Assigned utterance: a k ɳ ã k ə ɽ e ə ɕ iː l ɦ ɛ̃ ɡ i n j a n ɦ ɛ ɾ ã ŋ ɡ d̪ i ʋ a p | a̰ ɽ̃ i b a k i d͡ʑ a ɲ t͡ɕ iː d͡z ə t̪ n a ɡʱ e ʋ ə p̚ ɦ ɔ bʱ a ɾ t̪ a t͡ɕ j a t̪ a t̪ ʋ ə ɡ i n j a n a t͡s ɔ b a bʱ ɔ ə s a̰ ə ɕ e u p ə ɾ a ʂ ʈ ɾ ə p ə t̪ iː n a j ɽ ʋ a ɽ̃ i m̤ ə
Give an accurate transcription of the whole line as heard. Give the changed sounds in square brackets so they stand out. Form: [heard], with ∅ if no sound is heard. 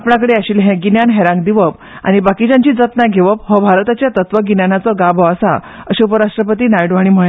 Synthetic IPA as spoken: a [p] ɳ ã k ə ɽ e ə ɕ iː l ɦ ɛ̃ ɡ i n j a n ɦ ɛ ɾ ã ŋ ɡ d̪ i ʋ [ə] p | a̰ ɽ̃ i b a k i d͡ʑ a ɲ t͡ɕ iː d͡z ə t̪ n a ɡʱ e ʋ ə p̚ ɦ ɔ bʱ a ɾ t̪ a t͡ɕ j a t̪ [ə] t̪ ʋ ə ɡ i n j a n a t͡s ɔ [ɡ] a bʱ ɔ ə s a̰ ə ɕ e u p ə ɾ a ʂ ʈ ɾ ə p ə t̪ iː n a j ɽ ʋ a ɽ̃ i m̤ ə